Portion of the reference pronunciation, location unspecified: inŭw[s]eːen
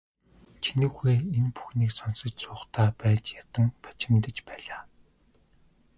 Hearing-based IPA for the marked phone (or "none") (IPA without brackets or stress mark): x